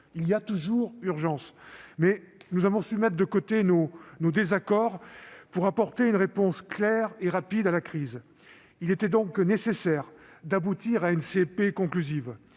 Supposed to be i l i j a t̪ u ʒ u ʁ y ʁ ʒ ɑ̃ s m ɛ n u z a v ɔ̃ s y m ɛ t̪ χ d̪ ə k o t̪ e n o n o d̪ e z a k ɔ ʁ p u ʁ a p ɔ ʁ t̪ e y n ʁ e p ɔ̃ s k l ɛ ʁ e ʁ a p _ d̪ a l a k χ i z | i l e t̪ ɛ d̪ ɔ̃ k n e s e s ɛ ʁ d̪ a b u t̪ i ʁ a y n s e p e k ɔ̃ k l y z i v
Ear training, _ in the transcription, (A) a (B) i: B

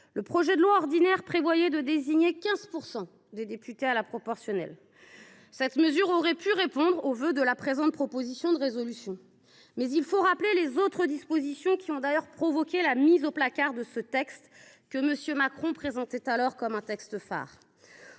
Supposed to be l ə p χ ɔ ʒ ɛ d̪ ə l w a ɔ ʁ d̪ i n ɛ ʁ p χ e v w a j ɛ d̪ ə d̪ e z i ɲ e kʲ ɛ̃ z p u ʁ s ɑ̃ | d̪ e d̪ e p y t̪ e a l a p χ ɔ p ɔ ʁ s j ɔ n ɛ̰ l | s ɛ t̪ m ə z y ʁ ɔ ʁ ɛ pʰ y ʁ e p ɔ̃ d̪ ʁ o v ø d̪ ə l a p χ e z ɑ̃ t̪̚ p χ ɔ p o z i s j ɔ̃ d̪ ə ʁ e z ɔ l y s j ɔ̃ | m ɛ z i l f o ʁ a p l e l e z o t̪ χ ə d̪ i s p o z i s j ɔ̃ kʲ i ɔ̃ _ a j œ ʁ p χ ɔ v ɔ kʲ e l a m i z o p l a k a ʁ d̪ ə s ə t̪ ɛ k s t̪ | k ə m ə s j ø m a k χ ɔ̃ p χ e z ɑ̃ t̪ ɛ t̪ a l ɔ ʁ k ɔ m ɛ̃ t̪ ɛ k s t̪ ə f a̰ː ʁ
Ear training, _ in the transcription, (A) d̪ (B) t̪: A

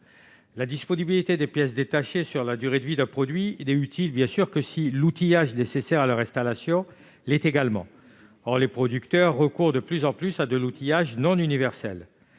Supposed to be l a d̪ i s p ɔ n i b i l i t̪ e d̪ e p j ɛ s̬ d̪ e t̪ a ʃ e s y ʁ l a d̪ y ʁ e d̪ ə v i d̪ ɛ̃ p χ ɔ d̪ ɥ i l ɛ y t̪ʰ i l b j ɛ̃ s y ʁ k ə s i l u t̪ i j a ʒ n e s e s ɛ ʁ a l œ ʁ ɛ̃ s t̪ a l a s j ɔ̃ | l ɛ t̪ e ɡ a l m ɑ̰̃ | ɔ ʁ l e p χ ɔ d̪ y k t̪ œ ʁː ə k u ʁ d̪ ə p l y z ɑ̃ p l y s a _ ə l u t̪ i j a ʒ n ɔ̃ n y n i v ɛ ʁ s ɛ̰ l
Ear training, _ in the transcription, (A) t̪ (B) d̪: B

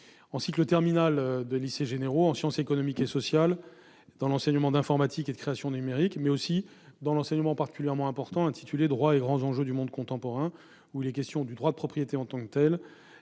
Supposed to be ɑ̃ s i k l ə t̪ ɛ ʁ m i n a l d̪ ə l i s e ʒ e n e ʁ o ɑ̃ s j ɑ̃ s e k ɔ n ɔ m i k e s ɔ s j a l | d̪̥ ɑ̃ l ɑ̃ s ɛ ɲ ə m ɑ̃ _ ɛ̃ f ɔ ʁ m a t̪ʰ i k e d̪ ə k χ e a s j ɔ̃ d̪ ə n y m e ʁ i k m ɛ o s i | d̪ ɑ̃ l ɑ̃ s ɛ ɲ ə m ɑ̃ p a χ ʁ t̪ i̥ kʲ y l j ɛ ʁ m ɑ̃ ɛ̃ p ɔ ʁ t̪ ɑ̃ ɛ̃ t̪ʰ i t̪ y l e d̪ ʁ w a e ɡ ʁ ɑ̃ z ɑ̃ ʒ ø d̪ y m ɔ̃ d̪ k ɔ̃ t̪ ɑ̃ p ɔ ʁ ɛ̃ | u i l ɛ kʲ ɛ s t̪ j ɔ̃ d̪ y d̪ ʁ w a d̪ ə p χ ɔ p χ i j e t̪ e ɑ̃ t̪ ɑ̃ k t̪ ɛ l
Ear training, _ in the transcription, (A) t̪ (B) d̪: B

